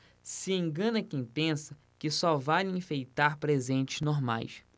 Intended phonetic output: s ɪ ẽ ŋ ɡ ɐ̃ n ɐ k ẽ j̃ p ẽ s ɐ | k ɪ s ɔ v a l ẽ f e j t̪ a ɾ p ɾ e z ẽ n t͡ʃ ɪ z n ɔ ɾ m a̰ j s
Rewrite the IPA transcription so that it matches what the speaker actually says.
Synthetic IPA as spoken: s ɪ ẽ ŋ ɡ ɐ̃ n ɐ k ẽ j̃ p ẽ s ɐ | k ɪ s ɔ v a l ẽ f e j t̪ a ɾ p ɾ e z ẽ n t͡ʃ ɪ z n o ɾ m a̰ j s